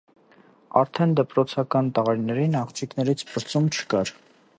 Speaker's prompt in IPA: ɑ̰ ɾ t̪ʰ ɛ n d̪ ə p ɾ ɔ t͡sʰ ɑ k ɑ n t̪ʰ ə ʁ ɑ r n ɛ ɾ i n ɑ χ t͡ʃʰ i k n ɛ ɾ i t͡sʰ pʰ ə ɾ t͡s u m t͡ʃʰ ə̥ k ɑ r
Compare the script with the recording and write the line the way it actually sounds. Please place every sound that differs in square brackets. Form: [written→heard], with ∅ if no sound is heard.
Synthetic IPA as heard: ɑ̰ ɾ t̪ʰ ɛ n d̪ ə p ɾ ɔ t͡sʰ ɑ k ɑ n [t̪ʰ→t̪] ə ʁ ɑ [r→ɾ] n ɛ ɾ i n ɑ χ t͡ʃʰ i k n ɛ ɾ i t͡sʰ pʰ ə ɾ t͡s u m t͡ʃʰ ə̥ k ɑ [r→ɾ]

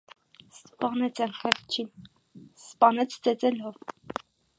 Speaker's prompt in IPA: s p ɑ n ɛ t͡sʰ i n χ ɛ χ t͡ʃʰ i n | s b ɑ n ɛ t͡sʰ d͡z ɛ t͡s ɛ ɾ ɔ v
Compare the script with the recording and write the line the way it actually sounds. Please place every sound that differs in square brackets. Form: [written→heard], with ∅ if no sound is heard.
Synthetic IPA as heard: s p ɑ n ɛ t͡sʰ [i→ɛ] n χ ɛ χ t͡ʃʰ i n | s [b→p] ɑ n ɛ t͡sʰ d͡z ɛ t͡s ɛ [ɾ→l] ɔ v

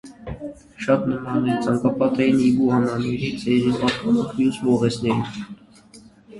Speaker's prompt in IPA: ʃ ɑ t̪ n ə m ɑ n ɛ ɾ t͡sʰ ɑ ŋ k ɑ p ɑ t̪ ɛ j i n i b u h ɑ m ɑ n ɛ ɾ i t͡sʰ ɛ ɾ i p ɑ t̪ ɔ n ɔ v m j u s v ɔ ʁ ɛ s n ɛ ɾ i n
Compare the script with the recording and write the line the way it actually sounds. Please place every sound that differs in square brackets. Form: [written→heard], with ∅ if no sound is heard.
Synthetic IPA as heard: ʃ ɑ t̪ n ə m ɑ n ɛ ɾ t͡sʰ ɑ ŋ k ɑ p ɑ t̪ ɛ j i n i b u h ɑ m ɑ n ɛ ɾ i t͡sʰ ɛ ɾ i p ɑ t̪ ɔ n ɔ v m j u s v ɔ ʁ ɛ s n ɛ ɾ i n

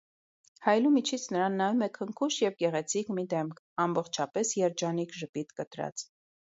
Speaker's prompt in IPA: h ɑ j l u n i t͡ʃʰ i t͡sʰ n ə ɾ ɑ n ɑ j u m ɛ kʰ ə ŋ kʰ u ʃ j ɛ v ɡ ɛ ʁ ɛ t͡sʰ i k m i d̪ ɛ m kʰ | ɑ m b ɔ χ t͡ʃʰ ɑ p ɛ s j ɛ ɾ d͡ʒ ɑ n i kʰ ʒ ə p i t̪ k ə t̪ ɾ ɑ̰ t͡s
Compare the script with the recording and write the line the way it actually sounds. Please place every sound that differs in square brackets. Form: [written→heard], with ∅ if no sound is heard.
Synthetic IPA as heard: h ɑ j l u [n→m] i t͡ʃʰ i t͡sʰ n ə ɾ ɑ [n→nː] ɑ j u m ɛ kʰ ə ŋ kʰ u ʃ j ɛ v ɡ ɛ ʁ ɛ t͡sʰ i k m i d̪ ɛ m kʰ | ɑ m b ɔ χ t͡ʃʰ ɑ p ɛ s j ɛ ɾ d͡ʒ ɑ n i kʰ ʒ ə p i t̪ k ə t̪ ɾ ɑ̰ t͡s

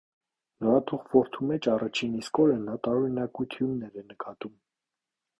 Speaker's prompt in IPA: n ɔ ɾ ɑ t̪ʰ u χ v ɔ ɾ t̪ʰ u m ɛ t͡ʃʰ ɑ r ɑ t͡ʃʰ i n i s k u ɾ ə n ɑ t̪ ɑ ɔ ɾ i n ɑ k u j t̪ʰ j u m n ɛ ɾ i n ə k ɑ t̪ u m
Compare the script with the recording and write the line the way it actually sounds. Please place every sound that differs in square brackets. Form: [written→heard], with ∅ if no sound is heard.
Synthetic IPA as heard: n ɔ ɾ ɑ t̪ʰ u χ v ɔ ɾ t̪ʰ u m ɛ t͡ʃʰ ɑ r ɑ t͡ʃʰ i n i s k [u→ɔ] ɾ ə n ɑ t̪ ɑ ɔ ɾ i n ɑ k u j t̪ʰ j u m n ɛ ɾ [i→ɛ] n ə k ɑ t̪ u m

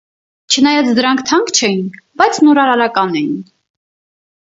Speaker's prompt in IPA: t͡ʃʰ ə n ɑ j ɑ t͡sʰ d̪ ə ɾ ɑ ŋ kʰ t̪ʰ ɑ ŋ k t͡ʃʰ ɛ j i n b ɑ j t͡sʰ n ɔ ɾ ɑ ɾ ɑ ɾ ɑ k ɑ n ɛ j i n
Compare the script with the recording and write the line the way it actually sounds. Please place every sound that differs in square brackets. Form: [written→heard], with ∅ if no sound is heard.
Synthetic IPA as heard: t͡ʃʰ ə n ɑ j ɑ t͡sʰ d̪ ə ɾ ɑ ŋ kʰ t̪ʰ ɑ ŋ k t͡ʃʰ ɛ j i n b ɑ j t͡sʰ n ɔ ɾ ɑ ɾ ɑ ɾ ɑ k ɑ n ɛ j i n

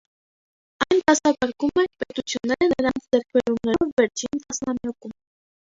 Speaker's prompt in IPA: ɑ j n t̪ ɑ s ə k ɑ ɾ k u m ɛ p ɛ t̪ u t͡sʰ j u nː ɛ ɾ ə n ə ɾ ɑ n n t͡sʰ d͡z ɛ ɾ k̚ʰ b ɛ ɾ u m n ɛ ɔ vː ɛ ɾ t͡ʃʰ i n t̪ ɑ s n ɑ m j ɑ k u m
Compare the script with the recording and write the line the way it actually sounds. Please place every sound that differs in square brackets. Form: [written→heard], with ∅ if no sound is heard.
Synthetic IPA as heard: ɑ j n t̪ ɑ s [ə→ɑ] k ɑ ɾ k u m ɛ p ɛ t̪ u t͡sʰ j u nː ɛ ɾ ə n ə ɾ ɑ n n t͡sʰ d͡z ɛ ɾ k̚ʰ b ɛ ɾ u m n ɛ ɔ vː ɛ ɾ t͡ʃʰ i n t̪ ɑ s n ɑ m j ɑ k u m

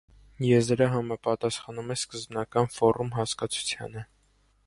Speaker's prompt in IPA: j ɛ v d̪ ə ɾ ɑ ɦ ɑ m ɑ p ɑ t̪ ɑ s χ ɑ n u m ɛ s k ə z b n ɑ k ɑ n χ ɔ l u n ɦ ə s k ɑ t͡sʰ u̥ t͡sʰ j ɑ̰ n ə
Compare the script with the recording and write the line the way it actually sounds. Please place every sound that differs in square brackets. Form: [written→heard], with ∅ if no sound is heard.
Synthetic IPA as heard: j ɛ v d̪ ə ɾ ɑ ɦ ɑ m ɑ p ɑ t̪ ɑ s χ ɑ n u m ɛ s k ə z b n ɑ k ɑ n [χ→f] ɔ [l→ɾ] u [n→m] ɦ [ə→ɑ] s k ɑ t͡sʰ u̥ t͡sʰ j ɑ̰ n ə

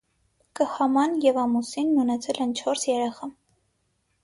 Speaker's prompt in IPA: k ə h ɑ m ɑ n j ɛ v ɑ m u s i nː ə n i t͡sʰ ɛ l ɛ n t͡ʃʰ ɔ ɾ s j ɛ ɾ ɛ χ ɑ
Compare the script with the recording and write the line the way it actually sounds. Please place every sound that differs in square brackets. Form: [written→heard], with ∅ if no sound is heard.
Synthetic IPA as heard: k ə h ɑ m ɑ n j ɛ v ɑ m u s i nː ə n [i→ɛ] t͡sʰ ɛ l ɛ n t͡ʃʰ ɔ ɾ s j ɛ ɾ ɛ χ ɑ

